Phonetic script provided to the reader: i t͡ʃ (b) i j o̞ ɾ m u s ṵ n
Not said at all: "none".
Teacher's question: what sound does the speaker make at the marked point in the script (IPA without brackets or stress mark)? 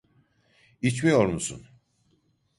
m